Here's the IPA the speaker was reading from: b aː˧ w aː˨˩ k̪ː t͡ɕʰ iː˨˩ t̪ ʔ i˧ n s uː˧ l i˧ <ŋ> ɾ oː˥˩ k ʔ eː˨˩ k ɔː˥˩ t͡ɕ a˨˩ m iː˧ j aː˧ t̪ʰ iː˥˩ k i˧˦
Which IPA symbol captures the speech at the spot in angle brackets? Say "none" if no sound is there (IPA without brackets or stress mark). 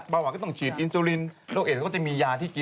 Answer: n